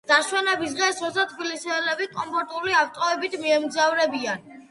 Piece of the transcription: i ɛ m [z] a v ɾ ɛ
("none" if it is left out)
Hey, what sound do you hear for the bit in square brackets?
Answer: z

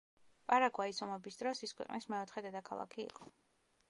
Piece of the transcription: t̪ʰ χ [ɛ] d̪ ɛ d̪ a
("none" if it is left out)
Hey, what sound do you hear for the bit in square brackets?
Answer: ɛ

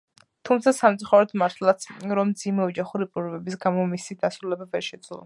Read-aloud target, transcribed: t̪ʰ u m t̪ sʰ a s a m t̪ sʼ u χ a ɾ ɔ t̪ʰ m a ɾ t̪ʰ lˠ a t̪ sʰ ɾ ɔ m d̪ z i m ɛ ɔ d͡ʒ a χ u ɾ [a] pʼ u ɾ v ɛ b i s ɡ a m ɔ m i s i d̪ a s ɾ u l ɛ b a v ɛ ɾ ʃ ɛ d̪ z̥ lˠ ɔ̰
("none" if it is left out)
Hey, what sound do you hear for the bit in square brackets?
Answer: i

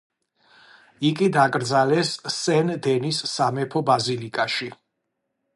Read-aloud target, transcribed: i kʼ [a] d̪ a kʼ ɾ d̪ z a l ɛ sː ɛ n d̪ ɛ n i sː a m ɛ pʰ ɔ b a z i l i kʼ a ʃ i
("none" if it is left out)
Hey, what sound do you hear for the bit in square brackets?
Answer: i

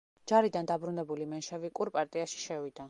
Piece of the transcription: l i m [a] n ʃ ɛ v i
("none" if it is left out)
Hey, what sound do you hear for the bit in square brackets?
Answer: ɛ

